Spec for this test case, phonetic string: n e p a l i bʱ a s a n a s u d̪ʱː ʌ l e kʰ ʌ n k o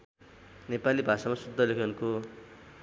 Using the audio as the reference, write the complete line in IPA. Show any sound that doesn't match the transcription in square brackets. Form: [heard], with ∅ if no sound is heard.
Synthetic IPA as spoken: n e p a l i bʱ a s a [m] a s u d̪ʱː ʌ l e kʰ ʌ n k o

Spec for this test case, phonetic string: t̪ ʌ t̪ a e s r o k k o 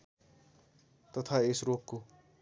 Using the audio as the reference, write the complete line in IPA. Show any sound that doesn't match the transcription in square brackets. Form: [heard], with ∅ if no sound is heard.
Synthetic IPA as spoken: t̪ ʌ [t̪ʰ] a e s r o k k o

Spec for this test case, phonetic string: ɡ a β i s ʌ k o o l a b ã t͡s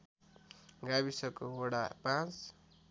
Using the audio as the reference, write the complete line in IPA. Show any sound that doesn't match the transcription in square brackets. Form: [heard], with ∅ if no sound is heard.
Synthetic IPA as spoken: ɡ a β i s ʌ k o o [ɽ] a [p] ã t͡s

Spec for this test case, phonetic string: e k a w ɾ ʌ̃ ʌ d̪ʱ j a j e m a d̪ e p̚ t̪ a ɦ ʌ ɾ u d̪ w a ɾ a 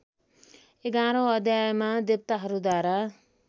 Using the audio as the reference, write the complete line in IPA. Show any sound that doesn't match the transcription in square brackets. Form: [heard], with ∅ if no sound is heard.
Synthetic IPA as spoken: e [ɡ] a [∅] ɾ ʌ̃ ʌ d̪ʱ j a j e m a d̪ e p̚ t̪ a ɦ ʌ ɾ u d̪ w a ɾ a

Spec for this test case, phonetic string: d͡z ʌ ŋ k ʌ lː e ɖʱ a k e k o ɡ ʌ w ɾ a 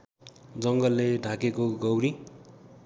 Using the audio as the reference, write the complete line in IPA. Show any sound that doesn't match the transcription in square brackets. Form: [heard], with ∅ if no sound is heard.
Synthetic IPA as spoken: d͡z ʌ ŋ [ɡ] ʌ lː e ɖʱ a k e k o ɡ ʌ w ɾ [i]

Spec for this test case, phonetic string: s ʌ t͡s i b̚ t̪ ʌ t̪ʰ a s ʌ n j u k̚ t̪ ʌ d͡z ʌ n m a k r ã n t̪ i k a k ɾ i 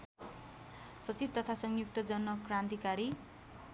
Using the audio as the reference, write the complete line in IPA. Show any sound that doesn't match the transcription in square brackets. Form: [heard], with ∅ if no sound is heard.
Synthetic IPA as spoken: s ʌ t͡s i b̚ t̪ ʌ t̪ʰ a s ʌ [ŋ] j u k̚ t̪ ʌ d͡z ʌ n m [ʌ] k r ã n t̪ i k a [∅] ɾ i

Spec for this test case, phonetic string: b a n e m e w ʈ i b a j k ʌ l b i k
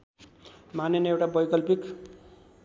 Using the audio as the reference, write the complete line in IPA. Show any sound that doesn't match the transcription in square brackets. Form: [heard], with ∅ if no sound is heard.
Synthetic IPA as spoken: [m] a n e [n] e w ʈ [a] b [ʌ] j k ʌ l [p] i k

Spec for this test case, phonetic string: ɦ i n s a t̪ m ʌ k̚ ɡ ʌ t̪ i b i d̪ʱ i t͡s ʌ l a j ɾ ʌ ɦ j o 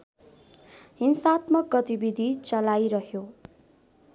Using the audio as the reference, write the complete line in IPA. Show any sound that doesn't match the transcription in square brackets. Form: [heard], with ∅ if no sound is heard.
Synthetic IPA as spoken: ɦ i n s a t̪ m ʌ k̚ ɡ ʌ t̪ i b i d̪ʱ i t͡s ʌ l a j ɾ ʌ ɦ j o

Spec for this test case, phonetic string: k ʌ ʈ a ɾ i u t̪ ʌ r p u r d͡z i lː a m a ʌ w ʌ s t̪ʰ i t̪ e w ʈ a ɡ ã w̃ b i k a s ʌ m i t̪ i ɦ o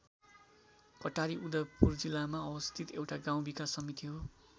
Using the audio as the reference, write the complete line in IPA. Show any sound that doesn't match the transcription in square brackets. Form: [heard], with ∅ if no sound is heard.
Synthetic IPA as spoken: k ʌ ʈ a ɾ i u [d̪] ʌ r p u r d͡z i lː a m a ʌ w ʌ s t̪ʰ i t̪ e w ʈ a ɡ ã w̃ b i k a s ʌ m i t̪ i ɦ o

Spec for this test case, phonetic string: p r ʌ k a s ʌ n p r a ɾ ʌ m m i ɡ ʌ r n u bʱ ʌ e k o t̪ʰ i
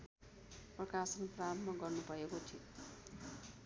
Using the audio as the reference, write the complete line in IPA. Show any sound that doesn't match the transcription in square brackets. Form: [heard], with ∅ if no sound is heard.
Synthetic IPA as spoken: p r ʌ k a s ʌ n p r a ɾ ʌ m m [a] ɡ ʌ r n u bʱ ʌ e k o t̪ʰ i

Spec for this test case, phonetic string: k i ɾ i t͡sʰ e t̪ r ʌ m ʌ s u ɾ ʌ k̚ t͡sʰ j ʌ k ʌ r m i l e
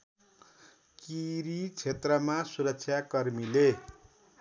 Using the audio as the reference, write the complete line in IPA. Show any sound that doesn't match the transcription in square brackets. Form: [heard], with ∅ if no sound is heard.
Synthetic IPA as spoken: k i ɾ i t͡sʰ e t̪ r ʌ m [a] s u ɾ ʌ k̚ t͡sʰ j [a] k ʌ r m i l e

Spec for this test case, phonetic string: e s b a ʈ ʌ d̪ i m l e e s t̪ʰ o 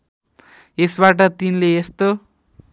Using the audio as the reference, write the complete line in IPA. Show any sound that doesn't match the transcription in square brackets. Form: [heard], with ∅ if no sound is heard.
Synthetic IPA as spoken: e s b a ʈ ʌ [t̪] i [n] l e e s [t̪] o

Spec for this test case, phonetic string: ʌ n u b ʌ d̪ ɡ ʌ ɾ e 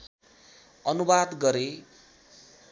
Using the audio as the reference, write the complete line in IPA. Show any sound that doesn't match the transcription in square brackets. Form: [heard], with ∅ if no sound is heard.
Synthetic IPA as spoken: ʌ n u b [a] d̪ ɡ ʌ ɾ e

